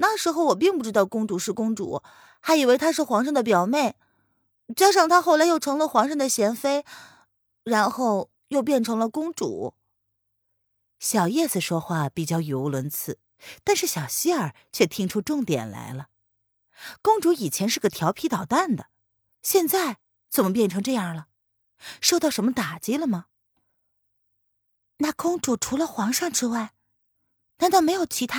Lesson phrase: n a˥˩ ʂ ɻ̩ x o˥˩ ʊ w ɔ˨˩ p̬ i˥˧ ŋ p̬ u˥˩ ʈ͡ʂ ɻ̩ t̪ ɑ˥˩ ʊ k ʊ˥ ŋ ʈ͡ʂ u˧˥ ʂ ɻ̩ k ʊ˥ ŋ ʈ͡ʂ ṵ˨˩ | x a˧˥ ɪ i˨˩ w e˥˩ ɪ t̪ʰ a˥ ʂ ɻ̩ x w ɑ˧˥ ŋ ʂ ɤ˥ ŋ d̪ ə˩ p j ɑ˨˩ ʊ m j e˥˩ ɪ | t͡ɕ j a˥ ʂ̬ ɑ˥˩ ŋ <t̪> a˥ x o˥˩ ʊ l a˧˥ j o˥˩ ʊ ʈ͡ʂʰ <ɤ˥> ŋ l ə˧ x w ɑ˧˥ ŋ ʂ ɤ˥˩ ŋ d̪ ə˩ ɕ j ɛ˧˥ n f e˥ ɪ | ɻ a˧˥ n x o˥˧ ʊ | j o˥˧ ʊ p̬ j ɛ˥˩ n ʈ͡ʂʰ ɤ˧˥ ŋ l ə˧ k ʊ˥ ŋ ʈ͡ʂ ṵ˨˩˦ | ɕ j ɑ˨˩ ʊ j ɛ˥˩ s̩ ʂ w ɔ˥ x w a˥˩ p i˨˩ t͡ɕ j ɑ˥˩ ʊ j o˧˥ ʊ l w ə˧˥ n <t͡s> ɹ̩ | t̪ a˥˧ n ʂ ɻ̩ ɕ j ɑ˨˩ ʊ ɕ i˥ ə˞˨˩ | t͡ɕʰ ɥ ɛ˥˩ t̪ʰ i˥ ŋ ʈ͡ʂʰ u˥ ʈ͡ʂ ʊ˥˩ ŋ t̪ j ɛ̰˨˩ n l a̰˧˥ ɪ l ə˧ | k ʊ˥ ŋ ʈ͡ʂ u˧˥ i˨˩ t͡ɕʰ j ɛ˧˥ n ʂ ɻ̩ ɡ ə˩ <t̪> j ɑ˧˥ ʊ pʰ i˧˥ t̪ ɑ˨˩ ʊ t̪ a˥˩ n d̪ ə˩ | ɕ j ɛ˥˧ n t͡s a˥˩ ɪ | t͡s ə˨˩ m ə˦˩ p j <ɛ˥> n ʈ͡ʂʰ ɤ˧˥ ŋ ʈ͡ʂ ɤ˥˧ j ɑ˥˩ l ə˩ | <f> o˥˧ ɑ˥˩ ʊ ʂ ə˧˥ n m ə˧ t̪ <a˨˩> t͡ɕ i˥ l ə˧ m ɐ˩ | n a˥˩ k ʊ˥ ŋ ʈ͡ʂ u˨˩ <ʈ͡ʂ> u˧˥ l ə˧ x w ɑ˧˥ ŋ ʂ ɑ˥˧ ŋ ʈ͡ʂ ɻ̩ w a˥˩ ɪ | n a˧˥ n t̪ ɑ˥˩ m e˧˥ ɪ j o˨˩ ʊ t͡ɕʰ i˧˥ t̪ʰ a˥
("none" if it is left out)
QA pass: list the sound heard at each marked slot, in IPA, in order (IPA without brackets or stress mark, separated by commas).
t̪ʰ, ɤ˧˥, t͡sʰ, t̪ʰ, ɛ˥˩, ʂ, a˨˩, ʈ͡ʂʰ